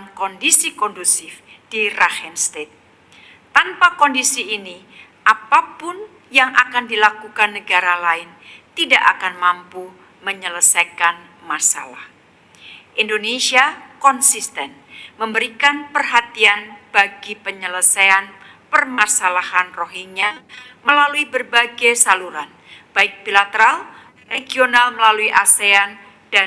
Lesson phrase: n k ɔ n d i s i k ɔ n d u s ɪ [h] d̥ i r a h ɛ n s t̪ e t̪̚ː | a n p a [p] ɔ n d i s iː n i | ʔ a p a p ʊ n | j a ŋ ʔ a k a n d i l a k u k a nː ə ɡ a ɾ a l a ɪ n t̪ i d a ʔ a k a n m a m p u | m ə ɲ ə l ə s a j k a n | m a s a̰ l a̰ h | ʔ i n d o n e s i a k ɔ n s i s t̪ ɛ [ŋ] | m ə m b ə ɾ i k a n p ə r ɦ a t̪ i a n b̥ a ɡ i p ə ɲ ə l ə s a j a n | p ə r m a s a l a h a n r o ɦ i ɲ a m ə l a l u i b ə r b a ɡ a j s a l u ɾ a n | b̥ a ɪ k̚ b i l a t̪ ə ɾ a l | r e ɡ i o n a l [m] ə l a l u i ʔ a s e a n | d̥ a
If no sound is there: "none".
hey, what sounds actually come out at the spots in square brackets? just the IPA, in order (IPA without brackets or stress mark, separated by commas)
f, k, n, m